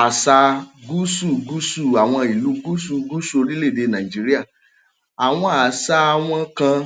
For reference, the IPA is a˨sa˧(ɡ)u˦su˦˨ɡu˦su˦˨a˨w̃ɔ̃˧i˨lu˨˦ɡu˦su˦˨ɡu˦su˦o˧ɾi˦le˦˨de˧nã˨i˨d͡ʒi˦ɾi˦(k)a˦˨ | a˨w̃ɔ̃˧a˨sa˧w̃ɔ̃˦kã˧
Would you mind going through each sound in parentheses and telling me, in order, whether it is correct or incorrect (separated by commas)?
correct, incorrect